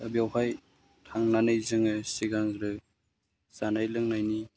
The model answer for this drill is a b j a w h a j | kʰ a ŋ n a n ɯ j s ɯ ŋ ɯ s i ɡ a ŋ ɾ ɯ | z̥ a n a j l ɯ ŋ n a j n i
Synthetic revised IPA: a b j a w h a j | tʰ a ŋ n a n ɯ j z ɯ ŋ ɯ s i ɡ a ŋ ɾ ɯ | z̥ a n a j l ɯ ŋ n a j n i